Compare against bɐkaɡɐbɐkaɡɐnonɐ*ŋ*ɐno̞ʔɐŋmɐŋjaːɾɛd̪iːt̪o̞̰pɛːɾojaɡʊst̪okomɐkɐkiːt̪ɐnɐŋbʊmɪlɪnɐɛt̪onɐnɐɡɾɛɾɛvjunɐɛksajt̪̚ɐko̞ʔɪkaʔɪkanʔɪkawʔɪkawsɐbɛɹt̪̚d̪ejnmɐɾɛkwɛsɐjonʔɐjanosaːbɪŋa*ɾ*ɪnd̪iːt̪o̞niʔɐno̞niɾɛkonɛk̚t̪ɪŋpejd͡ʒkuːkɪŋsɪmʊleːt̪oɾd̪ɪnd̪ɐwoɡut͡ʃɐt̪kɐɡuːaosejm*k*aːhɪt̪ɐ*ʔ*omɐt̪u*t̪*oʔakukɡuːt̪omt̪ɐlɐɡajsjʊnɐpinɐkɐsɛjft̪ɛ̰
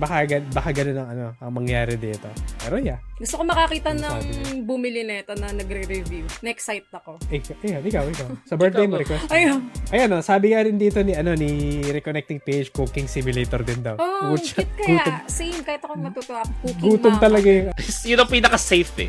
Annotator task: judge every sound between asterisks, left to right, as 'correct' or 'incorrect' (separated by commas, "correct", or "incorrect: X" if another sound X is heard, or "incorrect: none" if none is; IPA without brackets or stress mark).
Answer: correct, correct, correct, incorrect: k, correct